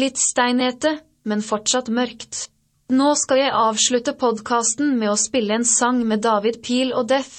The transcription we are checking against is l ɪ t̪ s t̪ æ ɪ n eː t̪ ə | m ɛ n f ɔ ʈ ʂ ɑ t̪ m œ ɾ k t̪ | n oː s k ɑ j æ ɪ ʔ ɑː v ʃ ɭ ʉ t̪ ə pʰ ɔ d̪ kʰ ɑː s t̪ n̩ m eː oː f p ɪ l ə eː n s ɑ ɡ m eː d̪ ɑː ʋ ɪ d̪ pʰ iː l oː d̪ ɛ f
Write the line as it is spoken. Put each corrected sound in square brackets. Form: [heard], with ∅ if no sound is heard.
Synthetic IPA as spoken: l ɪ t̪ s t̪ æ ɪ n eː t̪ ə | m ɛ n f ɔ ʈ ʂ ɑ t̪ m œ ɾ k t̪ | n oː s k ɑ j æ ɪ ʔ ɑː [ʋ] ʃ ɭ ʉ t̪ ə pʰ ɔ d̪ kʰ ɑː s t̪ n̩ m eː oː [s] p ɪ l ə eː n s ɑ [ŋ] m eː d̪ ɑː ʋ ɪ d̪ pʰ iː l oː d̪ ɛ f